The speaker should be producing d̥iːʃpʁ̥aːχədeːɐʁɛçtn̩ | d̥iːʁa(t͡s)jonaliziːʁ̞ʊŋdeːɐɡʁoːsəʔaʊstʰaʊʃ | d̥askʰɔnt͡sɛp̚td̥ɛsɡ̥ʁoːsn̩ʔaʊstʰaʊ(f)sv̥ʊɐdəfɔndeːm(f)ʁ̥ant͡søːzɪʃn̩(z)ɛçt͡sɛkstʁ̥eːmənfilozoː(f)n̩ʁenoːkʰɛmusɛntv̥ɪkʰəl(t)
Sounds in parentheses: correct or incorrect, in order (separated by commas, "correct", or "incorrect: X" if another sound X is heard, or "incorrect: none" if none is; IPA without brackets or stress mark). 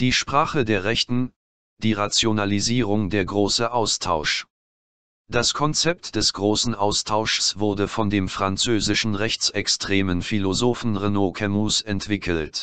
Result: correct, incorrect: ʃ, correct, incorrect: ʁ, correct, correct